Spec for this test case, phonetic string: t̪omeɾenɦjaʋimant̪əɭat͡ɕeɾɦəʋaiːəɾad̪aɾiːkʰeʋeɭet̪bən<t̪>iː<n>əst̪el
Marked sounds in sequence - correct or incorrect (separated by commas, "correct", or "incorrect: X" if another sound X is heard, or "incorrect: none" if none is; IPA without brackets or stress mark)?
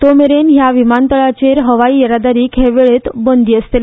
incorrect: d̪, incorrect: none